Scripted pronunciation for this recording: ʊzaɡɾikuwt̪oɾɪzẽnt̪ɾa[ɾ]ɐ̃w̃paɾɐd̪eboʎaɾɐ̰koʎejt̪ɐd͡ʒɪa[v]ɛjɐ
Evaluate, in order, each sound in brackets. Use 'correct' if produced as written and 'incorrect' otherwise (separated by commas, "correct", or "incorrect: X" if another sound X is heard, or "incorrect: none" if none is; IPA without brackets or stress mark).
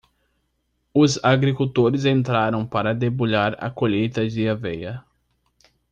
correct, correct